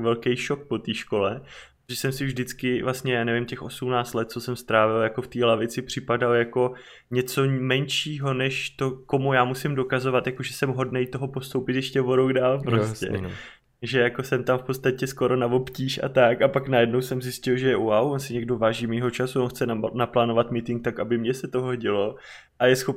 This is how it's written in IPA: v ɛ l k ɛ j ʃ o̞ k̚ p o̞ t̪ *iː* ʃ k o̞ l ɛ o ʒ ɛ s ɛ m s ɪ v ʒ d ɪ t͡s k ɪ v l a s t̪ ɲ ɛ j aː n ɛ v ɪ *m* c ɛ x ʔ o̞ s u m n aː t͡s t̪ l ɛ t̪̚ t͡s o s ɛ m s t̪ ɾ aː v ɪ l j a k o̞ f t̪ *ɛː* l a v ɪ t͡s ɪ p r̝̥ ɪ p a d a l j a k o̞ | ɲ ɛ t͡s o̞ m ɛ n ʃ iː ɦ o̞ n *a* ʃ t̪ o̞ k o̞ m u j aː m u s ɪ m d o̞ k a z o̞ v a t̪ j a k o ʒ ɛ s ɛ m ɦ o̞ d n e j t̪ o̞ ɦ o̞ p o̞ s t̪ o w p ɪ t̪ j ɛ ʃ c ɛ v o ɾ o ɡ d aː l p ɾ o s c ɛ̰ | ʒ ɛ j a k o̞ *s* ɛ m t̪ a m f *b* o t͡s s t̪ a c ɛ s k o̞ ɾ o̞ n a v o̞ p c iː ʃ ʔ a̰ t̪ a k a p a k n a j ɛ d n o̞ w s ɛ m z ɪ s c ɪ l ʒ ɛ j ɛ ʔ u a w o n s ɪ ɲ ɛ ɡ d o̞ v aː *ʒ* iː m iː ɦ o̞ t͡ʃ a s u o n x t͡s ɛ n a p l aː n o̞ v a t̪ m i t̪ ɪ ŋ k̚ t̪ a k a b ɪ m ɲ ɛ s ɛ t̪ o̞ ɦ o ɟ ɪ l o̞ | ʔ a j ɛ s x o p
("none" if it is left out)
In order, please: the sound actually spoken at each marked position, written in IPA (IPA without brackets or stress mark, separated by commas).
iː, m, iː, ɛ, s, p, ʒ